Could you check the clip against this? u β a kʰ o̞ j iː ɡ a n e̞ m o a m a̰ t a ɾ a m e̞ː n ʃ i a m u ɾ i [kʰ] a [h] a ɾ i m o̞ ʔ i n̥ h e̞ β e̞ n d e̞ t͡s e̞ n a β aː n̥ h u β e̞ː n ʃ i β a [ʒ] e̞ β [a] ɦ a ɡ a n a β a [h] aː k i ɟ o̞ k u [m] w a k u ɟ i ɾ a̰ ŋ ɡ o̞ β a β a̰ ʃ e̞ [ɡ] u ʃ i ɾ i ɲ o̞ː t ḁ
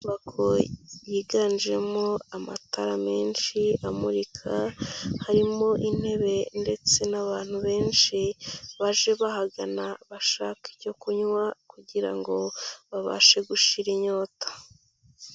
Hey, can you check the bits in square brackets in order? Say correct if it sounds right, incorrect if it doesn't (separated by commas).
correct, correct, correct, correct, incorrect, incorrect, correct